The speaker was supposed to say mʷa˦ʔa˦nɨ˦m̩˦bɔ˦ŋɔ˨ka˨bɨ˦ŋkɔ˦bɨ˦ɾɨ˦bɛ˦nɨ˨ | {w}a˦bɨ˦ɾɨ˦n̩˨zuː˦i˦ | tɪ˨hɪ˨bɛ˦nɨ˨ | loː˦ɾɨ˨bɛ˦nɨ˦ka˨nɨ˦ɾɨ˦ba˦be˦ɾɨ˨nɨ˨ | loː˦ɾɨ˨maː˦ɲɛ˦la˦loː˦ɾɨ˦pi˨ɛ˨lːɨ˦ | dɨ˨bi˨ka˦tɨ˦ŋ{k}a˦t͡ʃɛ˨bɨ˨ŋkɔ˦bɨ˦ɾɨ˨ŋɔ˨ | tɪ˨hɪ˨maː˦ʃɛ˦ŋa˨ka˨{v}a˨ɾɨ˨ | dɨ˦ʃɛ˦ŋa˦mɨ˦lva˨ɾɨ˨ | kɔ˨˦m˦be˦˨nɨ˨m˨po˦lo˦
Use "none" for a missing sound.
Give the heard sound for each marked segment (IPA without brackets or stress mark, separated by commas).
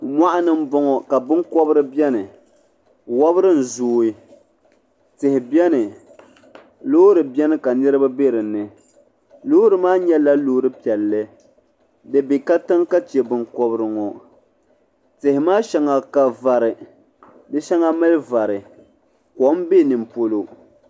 w, k, v